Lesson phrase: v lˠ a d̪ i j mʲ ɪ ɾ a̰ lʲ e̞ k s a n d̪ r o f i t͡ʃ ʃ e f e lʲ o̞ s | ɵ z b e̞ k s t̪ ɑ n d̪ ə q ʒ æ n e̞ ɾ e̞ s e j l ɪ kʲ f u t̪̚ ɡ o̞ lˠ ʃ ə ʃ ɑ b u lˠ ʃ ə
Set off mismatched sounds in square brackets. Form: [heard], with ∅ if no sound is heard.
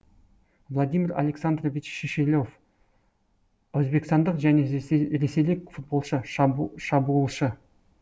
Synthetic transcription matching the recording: v lˠ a d̪ i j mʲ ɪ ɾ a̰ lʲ e̞ k s a n d̪ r o [v] i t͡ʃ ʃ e [ʃ] e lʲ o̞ [f] | ɵ z b e̞ k s t̪ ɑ n d̪ ə q ʒ æ n e̞ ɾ e̞ s e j l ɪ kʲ f u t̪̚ [b] o̞ lˠ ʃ ə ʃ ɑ b u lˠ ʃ ə